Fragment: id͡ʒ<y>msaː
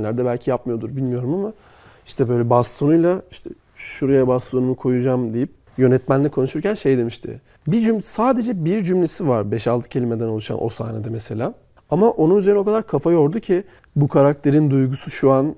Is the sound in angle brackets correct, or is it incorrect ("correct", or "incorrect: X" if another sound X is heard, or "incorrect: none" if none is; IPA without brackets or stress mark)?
correct